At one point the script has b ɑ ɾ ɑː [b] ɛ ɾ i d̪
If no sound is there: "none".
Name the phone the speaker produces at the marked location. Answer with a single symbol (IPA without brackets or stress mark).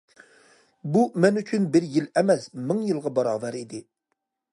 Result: v